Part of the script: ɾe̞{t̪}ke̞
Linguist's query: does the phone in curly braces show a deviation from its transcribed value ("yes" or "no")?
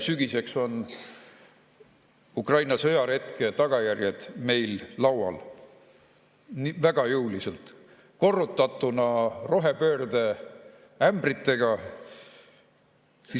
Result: no